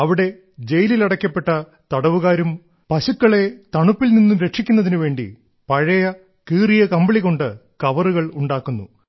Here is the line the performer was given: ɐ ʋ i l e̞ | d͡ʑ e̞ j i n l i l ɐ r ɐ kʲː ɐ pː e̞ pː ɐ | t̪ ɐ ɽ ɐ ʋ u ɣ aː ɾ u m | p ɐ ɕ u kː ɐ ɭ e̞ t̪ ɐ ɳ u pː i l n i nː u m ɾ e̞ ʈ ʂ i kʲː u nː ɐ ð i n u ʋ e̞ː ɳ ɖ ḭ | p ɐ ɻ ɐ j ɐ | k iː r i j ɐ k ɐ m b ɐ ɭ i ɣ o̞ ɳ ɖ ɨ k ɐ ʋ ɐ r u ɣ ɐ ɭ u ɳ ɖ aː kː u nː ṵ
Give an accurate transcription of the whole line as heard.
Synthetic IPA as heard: ɐ ʋ i ɽ e̞ | d͡ʑ e̞ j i l i l ɐ ɽ ɐ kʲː ɐ pː e̞ ʈː ɐ | t̪ ɐ ɽ ɐ ʋ u ɣ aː ɾ u m | p ɐ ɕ u kː ɐ ɭ e̞ t̪ ɐ ɳ u pː i l n i nː u m ɾ e̞ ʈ ʂ i kʲː u nː ɐ ð i n u ʋ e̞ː ɳ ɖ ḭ | p ɐ ɻ ɐ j ɐ | k iː r i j ɐ k ɐ m b ɐ ɭ i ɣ o̞ ɳ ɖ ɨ k ɐ ʋ ɐ r u ɣ ɐ ɭ u ɳ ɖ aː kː u nː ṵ